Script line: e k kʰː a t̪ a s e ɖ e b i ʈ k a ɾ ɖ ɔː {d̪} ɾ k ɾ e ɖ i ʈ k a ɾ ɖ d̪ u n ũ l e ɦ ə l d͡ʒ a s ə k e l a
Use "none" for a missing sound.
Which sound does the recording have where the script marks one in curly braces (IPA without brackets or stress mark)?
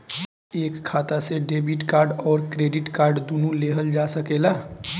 none